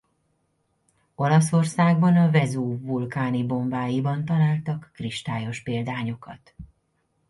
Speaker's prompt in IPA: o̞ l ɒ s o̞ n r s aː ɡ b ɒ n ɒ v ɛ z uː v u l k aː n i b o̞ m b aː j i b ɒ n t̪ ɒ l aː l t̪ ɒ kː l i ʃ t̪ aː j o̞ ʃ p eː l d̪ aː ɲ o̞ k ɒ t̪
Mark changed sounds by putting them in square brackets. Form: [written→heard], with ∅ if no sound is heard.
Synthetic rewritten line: o̞ l ɒ s o̞ [n→∅] r s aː ɡ b ɒ n ɒ v ɛ z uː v u l k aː n i b o̞ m b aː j i b ɒ n t̪ ɒ l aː l t̪ ɒ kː [l→r] i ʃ t̪ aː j o̞ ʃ p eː l d̪ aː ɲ o̞ k ɒ t̪

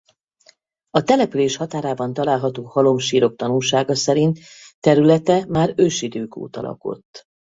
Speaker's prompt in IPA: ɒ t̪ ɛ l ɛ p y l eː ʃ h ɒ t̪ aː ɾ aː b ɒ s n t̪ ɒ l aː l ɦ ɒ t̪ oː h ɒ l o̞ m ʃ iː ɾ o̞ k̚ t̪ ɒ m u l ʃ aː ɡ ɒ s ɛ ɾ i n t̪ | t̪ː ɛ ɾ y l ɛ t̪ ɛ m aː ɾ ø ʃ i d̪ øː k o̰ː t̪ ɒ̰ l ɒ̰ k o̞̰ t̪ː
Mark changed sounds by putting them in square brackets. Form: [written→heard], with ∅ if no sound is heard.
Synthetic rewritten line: ɒ t̪ ɛ l ɛ p y l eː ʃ h ɒ t̪ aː ɾ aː b ɒ [s→∅] n t̪ ɒ l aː l ɦ ɒ t̪ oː h ɒ l o̞ m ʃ iː ɾ o̞ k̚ t̪ ɒ [m→n] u l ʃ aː ɡ ɒ s ɛ ɾ i n t̪ | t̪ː ɛ ɾ y l ɛ t̪ ɛ m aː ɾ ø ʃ i d̪ øː k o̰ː t̪ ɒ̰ l ɒ̰ k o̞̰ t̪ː

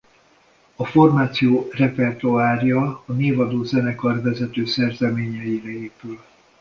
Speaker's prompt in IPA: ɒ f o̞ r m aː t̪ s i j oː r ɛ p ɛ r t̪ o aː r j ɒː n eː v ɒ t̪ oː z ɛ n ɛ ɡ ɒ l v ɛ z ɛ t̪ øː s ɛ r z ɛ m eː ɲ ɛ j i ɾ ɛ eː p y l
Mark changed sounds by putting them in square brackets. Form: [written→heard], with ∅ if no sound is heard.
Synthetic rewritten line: ɒ f o̞ r m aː t̪ s i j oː r ɛ p ɛ r t̪ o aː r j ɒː n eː v ɒ [t̪→d̪] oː z ɛ n ɛ [ɡ→k] ɒ [l→r] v ɛ z ɛ t̪ øː s ɛ r z ɛ m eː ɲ ɛ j i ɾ ɛ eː p y l

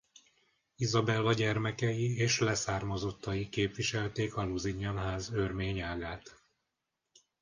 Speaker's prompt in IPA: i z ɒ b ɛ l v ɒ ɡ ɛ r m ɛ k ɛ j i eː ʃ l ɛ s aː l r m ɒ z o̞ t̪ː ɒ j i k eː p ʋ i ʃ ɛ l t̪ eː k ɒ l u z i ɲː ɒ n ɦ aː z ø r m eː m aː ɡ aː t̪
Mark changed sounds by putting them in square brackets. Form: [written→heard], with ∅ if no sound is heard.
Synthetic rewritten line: i z ɒ b ɛ l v ɒ [ɡ→ɟ] ɛ r m ɛ k ɛ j i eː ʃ l ɛ s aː [l→∅] r m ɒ z o̞ t̪ː ɒ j i k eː p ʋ i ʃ ɛ l t̪ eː k ɒ l u z i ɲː ɒ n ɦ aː z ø r m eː [m→ɲ] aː ɡ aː t̪

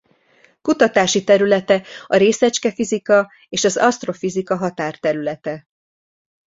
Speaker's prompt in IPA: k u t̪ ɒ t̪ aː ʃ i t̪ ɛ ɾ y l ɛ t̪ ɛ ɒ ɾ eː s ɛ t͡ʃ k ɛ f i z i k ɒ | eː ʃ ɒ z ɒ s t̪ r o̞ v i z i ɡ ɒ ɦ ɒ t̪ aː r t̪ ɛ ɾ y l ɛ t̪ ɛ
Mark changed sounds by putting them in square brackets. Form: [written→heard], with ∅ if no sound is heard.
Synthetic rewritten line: k u t̪ ɒ t̪ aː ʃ i t̪ ɛ ɾ y l ɛ t̪ ɛ ɒ ɾ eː s ɛ t͡ʃ k ɛ f i z i k ɒ | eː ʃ ɒ z ɒ s t̪ r o̞ [v→f] i z i [ɡ→k] ɒ ɦ ɒ t̪ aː r t̪ ɛ ɾ y l ɛ t̪ ɛ

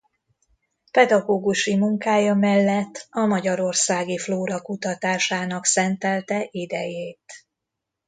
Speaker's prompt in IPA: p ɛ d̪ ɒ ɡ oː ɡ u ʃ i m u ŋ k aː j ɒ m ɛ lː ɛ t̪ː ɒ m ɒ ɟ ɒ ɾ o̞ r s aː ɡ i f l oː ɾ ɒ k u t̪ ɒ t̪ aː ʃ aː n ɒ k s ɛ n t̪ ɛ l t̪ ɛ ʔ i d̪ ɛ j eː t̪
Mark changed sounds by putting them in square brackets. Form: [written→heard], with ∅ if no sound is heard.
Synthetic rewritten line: p ɛ d̪ ɒ ɡ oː ɡ u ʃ i m u ŋ k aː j ɒ m ɛ lː ɛ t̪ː ɒ m ɒ ɟ ɒ ɾ o̞ r s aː ɡ i f l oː ɾ ɒ k u t̪ ɒ t̪ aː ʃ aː n ɒ k s ɛ n t̪ ɛ l t̪ ɛ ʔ i d̪ ɛ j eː t̪

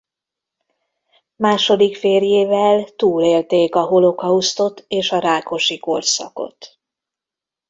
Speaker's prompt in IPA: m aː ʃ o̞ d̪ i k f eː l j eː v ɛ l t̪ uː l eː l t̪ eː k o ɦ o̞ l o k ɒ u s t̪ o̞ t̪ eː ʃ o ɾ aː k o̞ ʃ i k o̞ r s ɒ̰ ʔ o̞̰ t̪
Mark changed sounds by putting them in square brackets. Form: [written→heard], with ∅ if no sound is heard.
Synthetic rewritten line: m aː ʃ o̞ d̪ i k f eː [l→r] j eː v ɛ l t̪ uː l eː l t̪ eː k [o→ɒ] ɦ o̞ l o k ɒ u s t̪ o̞ t̪ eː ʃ [o→ɒ] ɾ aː k o̞ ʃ i k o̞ r s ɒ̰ [ʔ→k] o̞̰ t̪

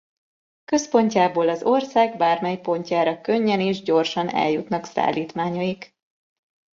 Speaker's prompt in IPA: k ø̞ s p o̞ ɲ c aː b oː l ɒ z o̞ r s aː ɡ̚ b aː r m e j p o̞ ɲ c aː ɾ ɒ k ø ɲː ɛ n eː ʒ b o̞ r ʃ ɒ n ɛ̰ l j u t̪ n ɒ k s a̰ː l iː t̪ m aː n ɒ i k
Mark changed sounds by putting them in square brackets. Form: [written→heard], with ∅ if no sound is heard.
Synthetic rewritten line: k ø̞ s p o̞ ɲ c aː b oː l ɒ z o̞ r s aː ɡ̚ b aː r m [e→ɛ] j p o̞ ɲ c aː ɾ ɒ k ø ɲː ɛ n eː ʒ [b→ɟ] o̞ r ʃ ɒ n ɛ̰ l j u t̪ n ɒ k s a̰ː l iː t̪ m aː [n→ɲ] ɒ i k

